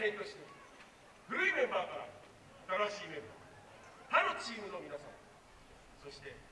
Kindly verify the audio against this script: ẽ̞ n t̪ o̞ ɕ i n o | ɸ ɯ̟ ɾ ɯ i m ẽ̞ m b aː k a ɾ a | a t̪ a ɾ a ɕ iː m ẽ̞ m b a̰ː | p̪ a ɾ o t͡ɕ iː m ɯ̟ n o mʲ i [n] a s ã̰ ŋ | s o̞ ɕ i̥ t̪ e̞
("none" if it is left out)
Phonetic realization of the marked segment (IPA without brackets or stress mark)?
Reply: n